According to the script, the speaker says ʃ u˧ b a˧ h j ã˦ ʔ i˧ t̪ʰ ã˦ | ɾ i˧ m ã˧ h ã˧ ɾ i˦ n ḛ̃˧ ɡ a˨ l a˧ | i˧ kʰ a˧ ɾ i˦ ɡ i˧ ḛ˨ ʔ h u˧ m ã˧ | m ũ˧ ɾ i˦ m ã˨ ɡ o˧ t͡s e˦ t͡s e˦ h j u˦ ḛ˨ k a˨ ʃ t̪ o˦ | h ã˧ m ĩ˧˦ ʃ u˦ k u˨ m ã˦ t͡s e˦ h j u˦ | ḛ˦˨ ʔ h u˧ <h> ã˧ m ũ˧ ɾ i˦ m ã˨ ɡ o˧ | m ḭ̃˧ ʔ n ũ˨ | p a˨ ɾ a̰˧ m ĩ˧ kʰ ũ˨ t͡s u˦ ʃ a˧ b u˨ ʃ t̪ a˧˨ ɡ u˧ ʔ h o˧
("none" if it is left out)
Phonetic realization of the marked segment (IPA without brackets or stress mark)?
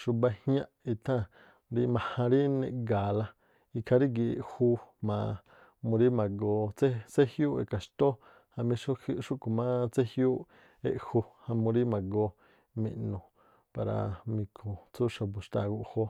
h